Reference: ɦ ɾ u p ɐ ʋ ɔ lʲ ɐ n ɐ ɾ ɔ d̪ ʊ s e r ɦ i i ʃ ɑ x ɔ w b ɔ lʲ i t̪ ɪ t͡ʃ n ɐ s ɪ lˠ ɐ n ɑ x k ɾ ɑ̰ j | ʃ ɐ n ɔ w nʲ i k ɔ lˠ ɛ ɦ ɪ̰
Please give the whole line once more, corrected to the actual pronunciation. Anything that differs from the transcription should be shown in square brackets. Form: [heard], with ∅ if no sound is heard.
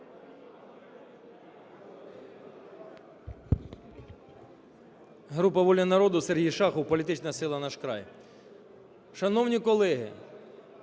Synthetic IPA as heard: ɦ ɾ u p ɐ ʋ ɔ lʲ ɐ n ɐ ɾ ɔ d̪ ʊ s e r ɦ i [j] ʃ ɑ x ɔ w [p] ɔ lʲ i t̪ ɪ t͡ʃ n ɐ s ɪ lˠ ɐ n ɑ [ʃ] k ɾ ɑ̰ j | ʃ ɐ n ɔ w nʲ i k ɔ lˠ ɛ ɦ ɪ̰